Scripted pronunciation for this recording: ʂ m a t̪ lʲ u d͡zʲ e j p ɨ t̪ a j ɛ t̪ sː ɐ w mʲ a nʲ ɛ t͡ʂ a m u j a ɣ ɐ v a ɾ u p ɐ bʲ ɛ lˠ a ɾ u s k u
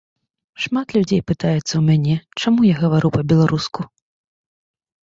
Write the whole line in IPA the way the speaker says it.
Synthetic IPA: ʂ m a t̪ lʲ u d͡zʲ e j p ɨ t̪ a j ɛ t̪ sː ɐ w mʲ a nʲ ɛ t͡ʂ a m u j a ɣ ɐ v a ɾ u p ɐ bʲ ɛ lˠ a ɾ u s k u